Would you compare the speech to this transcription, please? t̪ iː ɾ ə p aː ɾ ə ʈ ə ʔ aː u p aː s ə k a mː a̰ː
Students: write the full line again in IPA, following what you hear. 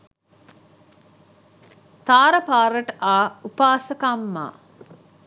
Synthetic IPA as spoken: t̪ aː ɾ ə p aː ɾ ə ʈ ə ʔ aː u p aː s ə k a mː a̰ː

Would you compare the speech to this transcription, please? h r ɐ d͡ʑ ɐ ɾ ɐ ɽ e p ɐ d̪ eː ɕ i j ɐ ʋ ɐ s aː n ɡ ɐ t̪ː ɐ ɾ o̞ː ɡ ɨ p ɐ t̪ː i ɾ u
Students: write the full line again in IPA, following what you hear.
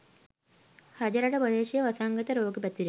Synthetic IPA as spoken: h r ɐ d͡ʑ ɐ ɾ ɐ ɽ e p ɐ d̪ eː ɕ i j ɐ ʋ ɐ s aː ŋ ɡ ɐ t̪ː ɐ ɾ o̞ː ɡ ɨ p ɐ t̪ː i ɾ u

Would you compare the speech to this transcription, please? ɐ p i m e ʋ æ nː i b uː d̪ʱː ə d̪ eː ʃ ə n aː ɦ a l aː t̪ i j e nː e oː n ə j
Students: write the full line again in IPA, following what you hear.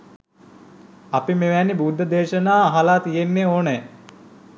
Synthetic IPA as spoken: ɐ p i m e ʋ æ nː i b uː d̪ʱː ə d̪ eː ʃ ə n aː ɦ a l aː t̪ i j e nː e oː n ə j

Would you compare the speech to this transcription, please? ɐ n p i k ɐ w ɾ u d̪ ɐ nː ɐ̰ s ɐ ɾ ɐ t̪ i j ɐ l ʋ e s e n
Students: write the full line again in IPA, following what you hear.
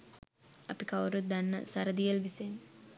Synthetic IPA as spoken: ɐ p i k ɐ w ɾ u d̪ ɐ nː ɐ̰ s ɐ ɾ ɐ d̪ i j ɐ l ʋ i s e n

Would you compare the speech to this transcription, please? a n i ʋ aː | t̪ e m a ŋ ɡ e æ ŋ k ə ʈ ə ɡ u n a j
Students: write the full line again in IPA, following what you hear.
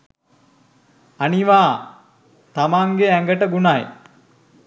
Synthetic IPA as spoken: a n i ʋ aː | t̪ a m a ŋ ɡ e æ ŋ ɡ ə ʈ ə ɡ u n a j

